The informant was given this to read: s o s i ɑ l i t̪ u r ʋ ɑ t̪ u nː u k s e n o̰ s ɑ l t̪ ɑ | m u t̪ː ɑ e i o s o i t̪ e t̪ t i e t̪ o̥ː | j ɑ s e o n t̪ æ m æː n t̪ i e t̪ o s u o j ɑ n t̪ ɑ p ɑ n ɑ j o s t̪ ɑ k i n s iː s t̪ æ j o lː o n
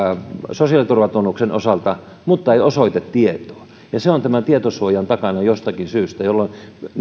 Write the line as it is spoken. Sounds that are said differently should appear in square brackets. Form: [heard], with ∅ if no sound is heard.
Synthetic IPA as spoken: s o s i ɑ l i t̪ u r ʋ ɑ t̪ u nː u k s e n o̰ s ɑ l t̪ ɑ | m u t̪ː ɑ e i o s o i t̪ e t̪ t i e t̪ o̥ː | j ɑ s e o n t̪ æ m [æ] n t̪ i e t̪ o s u o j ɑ n t̪ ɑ [k] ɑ n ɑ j o s t̪ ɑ k i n s [yː] s t̪ æ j o lː o n